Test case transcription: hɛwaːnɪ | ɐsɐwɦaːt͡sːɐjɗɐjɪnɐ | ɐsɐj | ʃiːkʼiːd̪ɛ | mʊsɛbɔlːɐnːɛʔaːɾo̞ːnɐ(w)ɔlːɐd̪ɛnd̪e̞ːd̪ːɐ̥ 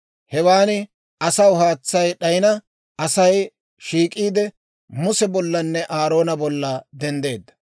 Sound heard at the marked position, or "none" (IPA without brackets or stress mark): b